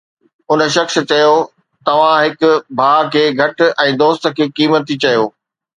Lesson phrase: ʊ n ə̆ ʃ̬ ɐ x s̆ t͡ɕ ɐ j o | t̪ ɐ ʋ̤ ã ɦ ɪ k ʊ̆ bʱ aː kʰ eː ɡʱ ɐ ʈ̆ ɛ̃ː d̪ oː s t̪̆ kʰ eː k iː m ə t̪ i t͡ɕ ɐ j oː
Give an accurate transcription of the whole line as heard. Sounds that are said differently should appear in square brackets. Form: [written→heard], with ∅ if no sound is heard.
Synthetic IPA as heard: ʊ n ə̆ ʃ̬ ɐ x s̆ t͡ɕ ɐ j o | t̪ ɐ ʋ̤ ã ɦ ɪ k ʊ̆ bʱ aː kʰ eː ɡʱ ɐ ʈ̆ ɛ̃ː d̪ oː s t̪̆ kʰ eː k iː m ə t̪ i t͡ɕ ɐ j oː